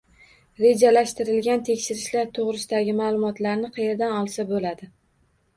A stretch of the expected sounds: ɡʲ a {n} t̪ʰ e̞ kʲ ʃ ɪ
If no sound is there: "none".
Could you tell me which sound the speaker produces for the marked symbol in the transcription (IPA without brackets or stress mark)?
n